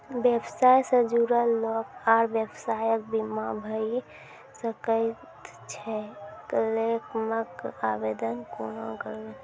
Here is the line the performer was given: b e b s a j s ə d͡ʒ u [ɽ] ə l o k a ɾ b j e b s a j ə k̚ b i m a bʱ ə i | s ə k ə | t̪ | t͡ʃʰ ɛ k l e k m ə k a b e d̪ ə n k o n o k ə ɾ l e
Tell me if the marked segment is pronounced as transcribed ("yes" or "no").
no